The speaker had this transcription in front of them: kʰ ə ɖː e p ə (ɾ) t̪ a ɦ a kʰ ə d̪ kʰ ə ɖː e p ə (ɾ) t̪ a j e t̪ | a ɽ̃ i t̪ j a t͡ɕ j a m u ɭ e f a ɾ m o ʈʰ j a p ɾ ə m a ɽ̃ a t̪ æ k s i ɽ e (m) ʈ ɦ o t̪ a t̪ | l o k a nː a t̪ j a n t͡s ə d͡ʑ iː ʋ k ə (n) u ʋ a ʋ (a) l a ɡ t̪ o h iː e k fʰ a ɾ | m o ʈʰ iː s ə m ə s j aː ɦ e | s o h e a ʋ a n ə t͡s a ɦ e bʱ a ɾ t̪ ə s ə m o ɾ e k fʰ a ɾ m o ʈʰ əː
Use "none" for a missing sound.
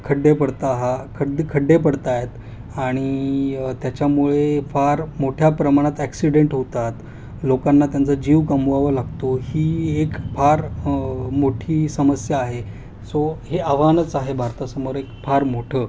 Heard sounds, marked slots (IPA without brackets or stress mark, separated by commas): ɽ, ɽ, ɳ, m, ə